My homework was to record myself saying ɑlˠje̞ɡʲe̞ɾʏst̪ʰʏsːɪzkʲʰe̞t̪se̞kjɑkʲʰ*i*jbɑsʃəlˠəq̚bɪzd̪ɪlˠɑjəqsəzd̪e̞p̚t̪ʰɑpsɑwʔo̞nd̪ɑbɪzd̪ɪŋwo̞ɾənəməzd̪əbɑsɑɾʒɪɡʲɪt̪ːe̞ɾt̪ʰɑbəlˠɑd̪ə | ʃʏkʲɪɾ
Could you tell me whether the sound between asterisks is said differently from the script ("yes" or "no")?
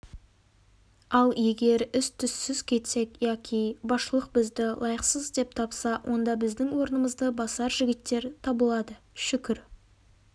no